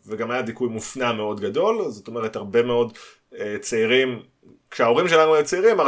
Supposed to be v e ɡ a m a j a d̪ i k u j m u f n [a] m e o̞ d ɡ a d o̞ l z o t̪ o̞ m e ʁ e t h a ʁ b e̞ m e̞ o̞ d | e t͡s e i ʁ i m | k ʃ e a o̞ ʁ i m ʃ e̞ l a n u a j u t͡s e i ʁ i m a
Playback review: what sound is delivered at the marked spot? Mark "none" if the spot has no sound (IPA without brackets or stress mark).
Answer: a